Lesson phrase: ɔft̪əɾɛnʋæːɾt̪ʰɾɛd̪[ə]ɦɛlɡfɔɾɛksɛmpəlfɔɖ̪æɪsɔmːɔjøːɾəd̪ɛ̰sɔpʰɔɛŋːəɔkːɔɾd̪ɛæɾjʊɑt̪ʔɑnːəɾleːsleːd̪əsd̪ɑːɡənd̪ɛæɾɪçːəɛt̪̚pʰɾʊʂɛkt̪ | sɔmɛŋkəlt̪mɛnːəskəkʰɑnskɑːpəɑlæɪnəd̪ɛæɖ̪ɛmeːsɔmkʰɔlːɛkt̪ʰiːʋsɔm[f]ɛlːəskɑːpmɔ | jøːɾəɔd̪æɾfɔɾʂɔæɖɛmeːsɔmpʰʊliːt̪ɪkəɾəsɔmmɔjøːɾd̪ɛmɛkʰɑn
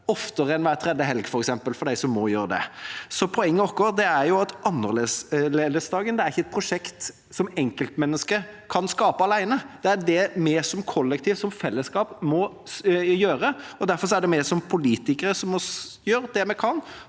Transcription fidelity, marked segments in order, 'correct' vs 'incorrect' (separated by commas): correct, correct